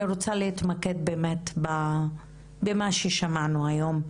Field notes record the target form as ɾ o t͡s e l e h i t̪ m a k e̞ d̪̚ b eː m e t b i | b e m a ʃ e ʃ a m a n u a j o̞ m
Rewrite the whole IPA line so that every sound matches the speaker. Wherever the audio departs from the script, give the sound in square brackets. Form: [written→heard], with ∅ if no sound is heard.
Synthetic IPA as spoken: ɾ o t͡s [e→a] l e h i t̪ m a k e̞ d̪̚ b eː m e t b [i→a] | b e m a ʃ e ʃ a m a n u a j o̞ m